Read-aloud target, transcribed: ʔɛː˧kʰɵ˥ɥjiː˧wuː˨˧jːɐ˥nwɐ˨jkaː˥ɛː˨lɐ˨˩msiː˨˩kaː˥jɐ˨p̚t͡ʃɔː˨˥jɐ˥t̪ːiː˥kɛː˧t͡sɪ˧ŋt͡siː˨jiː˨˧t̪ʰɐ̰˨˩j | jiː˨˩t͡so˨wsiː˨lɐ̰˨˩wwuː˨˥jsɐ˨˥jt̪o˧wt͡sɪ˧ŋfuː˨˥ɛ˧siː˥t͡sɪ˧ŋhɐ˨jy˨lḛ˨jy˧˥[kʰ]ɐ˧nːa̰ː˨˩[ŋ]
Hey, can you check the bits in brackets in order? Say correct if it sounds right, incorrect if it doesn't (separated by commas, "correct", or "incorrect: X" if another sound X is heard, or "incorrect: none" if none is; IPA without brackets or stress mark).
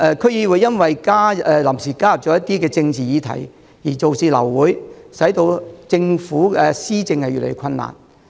correct, incorrect: n